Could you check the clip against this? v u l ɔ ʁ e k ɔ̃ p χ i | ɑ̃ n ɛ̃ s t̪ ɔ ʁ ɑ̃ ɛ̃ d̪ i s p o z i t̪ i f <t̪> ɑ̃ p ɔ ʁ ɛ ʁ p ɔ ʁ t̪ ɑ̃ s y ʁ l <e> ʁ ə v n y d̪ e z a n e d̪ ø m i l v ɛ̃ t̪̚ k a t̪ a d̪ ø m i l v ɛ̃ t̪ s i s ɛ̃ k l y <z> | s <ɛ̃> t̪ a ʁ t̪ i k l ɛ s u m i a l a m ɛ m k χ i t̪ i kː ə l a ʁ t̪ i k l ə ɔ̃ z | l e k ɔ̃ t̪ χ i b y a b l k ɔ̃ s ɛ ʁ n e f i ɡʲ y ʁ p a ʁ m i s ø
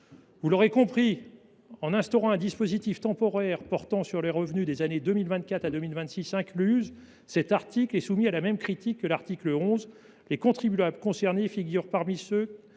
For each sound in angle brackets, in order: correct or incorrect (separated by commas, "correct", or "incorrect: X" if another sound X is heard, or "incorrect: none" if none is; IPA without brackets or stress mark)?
correct, correct, correct, incorrect: ɛ